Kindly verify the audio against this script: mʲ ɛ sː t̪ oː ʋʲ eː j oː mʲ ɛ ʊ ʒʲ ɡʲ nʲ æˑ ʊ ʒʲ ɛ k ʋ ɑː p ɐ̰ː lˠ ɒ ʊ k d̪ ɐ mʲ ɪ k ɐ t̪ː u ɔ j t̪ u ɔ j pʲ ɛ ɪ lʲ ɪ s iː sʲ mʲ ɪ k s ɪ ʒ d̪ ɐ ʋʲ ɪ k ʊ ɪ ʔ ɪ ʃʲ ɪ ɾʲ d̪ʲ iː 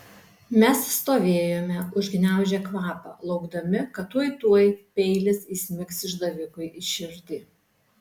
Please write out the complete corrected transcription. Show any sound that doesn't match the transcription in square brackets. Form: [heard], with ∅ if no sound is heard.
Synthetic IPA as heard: mʲ ɛ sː t̪ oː ʋʲ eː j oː mʲ ɛ ʊ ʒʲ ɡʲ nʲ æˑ ʊ ʒʲ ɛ k ʋ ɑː p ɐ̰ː lˠ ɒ ʊ [ɡ] d̪ ɐ mʲ ɪ k ɐ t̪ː u ɔ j t̪ u ɔ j pʲ ɛ ɪ lʲ ɪ s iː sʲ mʲ ɪ k s ɪ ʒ d̪ ɐ ʋʲ ɪ k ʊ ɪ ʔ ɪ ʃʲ ɪ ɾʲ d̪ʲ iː